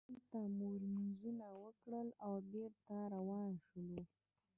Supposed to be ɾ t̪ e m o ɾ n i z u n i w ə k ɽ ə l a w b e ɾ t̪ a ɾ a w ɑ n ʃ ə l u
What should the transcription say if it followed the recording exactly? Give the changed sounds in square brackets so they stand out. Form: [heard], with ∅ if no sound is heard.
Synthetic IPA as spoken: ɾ t̪ [a] m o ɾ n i z u n [a] w ə k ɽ ə l a w b e ɾ t̪ a ɾ a w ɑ n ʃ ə l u